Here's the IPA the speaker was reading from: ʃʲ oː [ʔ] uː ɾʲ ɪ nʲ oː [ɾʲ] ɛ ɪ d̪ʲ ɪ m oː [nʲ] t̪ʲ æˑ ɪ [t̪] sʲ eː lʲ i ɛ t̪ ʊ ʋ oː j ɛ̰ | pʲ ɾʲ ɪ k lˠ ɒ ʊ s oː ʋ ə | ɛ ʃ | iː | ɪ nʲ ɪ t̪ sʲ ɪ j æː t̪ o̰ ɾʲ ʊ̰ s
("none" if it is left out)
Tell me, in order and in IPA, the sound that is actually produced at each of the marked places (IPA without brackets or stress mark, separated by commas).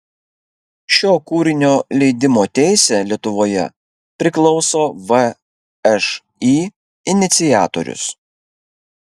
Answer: k, lʲ, none, none